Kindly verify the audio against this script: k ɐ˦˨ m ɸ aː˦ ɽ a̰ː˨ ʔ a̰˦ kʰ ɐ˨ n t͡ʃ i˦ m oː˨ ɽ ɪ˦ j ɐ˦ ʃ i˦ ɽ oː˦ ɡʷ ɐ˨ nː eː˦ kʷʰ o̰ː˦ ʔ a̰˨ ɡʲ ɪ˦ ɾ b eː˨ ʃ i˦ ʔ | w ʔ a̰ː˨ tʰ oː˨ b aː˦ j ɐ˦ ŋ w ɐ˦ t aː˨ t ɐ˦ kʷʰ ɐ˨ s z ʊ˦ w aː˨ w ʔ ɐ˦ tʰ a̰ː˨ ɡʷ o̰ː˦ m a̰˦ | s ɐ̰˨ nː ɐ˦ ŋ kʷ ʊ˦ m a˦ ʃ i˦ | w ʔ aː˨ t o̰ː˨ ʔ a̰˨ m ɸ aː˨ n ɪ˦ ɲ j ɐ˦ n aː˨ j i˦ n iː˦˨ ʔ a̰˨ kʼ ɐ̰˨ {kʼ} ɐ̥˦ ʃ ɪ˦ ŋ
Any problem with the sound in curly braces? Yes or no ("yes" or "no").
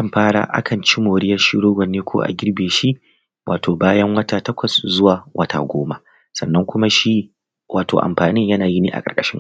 no